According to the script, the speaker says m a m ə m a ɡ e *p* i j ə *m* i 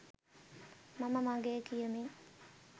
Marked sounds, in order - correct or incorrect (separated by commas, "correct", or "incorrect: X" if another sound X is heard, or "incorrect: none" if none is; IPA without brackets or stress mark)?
incorrect: k, correct